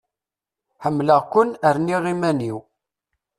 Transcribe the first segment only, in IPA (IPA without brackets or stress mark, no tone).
ħ